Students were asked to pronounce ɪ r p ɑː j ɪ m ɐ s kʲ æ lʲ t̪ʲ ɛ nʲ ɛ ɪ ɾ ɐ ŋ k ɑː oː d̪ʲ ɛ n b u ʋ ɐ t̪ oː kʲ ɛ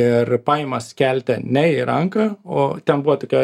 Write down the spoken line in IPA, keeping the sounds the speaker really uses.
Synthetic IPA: ɪ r p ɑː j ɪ m ɐ s kʲ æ lʲ t̪ʲ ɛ nʲ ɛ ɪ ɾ ɐ ŋ k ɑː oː t̪ʲ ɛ n b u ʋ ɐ t̪ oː kʲ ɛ